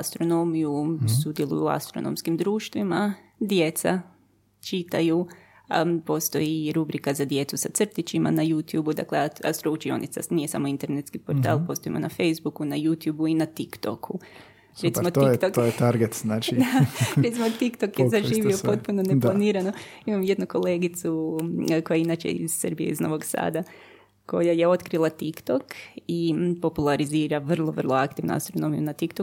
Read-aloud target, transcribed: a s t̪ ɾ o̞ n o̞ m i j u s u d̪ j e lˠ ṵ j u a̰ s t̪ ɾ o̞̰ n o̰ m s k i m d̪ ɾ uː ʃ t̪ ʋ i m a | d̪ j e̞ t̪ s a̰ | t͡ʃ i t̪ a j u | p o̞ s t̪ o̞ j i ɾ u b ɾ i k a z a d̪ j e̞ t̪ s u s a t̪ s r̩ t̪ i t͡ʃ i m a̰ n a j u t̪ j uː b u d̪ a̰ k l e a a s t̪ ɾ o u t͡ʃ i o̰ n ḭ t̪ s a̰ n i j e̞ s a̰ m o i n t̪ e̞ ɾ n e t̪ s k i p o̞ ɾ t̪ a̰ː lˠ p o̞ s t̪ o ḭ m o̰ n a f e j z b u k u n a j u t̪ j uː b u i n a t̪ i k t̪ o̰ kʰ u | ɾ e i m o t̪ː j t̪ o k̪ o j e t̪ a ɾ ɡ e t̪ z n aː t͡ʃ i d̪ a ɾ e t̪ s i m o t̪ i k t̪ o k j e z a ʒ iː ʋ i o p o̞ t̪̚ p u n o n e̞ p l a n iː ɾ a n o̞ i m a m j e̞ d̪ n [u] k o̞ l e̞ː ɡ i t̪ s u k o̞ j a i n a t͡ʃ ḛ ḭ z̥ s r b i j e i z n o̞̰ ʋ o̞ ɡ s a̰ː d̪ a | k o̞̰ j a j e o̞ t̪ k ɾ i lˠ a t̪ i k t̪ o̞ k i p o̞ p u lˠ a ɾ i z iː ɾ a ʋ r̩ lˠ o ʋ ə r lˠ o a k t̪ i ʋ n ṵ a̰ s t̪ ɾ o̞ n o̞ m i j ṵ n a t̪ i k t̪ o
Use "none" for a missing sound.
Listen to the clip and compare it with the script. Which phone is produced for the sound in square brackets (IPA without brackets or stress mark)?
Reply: u